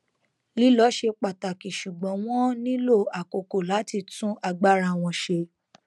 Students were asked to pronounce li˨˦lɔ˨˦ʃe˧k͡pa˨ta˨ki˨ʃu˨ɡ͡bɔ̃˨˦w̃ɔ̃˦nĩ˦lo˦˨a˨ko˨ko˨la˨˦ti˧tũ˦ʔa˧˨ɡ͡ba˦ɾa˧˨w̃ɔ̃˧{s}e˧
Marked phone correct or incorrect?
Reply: incorrect